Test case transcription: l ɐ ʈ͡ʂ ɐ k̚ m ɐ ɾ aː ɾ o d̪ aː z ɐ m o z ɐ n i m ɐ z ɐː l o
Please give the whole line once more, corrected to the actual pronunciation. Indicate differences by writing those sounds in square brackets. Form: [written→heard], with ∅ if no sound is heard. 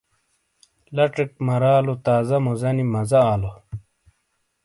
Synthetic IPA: l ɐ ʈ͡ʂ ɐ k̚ m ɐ ɾ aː [ɾ→l] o [d̪→t̪] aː z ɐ m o z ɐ n i m ɐ z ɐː l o